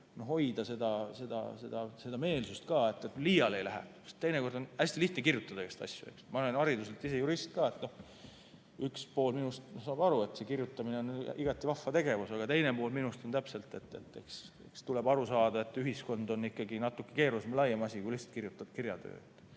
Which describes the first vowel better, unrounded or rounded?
rounded